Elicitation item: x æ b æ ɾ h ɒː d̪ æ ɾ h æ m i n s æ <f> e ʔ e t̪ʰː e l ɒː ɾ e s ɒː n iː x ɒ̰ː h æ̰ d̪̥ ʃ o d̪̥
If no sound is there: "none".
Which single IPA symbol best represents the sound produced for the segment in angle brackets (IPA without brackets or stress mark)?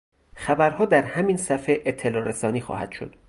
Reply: f